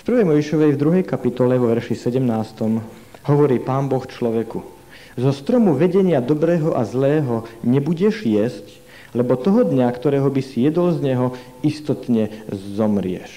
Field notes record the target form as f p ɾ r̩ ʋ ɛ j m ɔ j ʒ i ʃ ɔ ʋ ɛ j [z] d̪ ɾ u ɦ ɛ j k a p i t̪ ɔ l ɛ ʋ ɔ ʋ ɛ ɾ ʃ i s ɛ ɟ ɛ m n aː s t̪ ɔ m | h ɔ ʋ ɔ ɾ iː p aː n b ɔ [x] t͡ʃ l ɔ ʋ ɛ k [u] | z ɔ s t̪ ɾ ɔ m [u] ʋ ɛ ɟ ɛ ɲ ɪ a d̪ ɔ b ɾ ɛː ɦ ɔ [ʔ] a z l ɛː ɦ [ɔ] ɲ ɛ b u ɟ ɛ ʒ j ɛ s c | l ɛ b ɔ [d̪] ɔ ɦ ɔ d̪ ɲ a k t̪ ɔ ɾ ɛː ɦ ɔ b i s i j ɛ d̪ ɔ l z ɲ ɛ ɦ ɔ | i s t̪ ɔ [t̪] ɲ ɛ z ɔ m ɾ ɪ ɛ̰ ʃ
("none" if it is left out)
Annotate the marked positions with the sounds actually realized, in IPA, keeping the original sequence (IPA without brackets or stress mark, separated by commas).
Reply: v, x, u, u, ʔ, ɔ, t̪, t̪